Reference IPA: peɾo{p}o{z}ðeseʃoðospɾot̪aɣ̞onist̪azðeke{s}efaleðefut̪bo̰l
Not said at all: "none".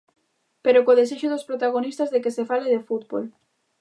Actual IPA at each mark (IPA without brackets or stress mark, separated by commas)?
k, none, s